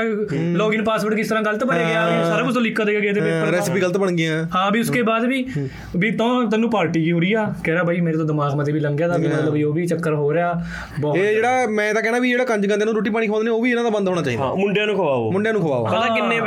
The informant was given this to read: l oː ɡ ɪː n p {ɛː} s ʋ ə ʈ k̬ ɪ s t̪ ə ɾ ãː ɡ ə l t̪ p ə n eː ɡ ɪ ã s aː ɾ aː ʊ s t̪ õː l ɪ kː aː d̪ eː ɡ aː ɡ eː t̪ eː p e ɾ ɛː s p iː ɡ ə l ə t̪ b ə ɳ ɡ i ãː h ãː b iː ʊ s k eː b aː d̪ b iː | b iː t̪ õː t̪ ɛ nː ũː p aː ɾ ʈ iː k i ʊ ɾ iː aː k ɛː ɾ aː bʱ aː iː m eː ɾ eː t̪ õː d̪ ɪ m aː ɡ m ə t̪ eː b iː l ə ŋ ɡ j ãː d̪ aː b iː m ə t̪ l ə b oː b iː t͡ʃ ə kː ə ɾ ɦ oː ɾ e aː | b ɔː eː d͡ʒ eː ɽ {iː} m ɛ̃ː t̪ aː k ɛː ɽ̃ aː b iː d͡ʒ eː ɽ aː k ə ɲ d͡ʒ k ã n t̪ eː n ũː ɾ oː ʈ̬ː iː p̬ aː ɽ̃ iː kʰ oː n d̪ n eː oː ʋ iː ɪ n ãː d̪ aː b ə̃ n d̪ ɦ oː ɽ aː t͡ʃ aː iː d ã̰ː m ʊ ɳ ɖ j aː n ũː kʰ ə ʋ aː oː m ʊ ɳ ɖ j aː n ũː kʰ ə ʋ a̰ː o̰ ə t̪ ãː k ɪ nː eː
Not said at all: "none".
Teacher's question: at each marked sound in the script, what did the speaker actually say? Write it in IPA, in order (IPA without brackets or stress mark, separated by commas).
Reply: aː, aː